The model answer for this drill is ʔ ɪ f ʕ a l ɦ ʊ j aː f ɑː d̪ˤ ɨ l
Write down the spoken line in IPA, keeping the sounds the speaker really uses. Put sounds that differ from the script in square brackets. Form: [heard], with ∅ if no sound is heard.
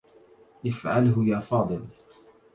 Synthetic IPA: ʔ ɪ f ʕ a l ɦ ʊ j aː f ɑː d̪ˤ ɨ l

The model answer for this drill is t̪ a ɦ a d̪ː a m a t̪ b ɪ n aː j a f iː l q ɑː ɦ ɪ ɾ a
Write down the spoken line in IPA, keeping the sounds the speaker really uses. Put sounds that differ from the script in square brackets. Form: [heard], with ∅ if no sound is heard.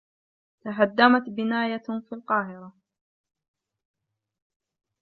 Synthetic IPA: t̪ a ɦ a d̪ː a m a t̪ b ɪ n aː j a f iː l q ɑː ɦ ɪ ɾ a

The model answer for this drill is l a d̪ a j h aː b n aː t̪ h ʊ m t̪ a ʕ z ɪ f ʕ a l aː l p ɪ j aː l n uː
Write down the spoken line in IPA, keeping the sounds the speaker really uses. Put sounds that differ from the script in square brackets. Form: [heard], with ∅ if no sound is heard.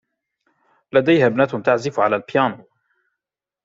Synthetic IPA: l a d̪ a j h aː b n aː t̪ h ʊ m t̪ a ʕ z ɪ f ʕ a l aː l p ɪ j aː [∅] n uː

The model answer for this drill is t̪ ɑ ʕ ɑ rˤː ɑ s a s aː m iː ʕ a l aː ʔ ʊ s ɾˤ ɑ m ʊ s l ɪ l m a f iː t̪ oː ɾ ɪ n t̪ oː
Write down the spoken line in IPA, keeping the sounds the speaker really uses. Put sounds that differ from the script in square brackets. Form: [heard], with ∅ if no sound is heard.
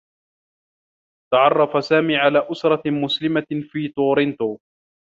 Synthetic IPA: t̪ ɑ ʕ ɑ rˤː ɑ [f] a s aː m iː ʕ a l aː ʔ ʊ s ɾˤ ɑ m ʊ s l ɪ [∅] m a f iː t̪ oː ɾ ɪ n t̪ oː

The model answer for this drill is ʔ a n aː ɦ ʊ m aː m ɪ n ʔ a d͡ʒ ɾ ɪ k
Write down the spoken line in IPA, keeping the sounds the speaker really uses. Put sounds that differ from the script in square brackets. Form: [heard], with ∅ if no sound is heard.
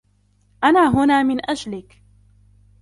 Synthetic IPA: ʔ a n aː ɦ ʊ [n] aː m ɪ n ʔ a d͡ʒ [l] ɪ k

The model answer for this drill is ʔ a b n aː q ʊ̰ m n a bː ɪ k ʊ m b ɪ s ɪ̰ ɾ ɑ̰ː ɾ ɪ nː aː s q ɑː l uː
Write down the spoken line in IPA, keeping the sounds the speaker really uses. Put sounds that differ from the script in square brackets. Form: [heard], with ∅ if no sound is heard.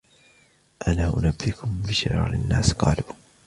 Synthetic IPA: ʔ a [∅] n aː [ʔ] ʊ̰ [∅] n a bː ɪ k ʊ m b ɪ [ʃ] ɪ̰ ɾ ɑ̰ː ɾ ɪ nː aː s q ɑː l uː

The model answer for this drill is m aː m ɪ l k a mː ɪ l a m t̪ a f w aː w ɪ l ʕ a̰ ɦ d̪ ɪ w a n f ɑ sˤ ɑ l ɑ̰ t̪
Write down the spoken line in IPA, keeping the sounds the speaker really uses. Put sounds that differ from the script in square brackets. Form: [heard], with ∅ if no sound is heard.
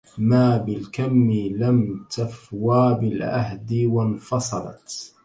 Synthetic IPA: m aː [b] ɪ l k a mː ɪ l a m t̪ a f w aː [b] ɪ l ʕ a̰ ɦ d̪ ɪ w a n f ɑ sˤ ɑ l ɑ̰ t̪

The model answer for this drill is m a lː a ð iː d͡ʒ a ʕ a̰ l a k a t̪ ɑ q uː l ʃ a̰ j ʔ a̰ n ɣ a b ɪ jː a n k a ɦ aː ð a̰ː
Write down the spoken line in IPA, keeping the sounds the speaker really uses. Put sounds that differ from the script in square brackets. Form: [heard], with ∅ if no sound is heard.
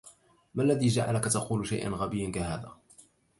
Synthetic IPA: m a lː a ð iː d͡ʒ a ʕ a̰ l a k a t̪ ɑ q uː l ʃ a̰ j ʔ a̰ n ɣ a b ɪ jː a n k a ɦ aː ð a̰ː

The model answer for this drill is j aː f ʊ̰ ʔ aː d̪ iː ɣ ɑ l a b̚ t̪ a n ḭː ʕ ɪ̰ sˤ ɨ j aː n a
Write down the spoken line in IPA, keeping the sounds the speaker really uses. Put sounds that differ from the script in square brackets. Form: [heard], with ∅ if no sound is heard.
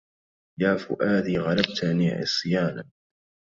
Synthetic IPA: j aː f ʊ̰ ʔ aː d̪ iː ɣ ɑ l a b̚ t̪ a n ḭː ʕ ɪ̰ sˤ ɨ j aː n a

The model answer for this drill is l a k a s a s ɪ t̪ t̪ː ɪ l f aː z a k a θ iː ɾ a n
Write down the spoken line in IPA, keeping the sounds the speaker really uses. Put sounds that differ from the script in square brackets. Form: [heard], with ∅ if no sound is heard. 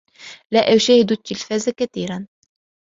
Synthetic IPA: l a [ʔ] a [ʃ] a [h] ɪ [d̪] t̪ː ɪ l f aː z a k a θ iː ɾ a n

